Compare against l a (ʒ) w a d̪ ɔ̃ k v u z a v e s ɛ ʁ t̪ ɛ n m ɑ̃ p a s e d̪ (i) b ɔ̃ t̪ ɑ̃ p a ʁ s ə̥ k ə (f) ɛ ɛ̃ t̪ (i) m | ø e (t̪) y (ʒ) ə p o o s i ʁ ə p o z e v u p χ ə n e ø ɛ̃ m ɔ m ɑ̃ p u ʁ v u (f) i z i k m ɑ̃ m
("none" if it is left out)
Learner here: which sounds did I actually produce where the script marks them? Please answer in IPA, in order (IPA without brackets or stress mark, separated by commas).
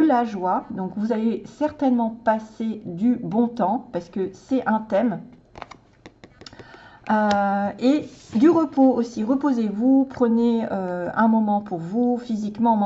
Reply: ʒ, y, s, ɛ, d̪, ʁ, f